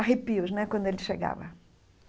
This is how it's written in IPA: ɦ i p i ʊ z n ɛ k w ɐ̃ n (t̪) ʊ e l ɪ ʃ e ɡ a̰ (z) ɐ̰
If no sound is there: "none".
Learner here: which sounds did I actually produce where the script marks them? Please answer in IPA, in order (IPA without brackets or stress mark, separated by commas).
d̪, v